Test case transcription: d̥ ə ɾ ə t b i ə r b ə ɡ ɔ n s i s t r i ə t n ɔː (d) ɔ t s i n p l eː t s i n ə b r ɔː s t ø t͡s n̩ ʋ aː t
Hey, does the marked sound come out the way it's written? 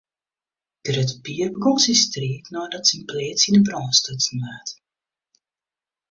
yes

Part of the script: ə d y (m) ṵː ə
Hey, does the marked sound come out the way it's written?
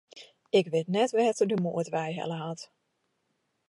yes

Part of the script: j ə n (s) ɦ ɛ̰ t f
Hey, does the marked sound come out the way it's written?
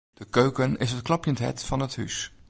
no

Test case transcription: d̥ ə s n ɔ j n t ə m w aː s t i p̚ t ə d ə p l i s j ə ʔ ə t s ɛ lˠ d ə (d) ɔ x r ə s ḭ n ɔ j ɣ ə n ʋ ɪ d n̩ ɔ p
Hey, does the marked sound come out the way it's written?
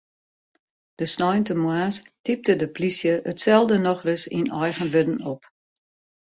no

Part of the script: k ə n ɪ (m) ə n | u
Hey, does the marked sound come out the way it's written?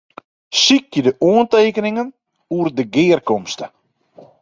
no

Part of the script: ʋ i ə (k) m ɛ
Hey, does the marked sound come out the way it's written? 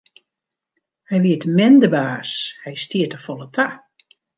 no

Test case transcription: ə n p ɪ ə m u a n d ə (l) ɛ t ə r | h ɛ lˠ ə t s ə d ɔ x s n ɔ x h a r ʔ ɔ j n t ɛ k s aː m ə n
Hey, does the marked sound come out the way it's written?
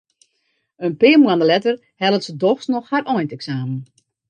yes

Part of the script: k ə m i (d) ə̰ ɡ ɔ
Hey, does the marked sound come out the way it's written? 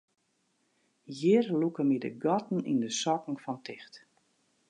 yes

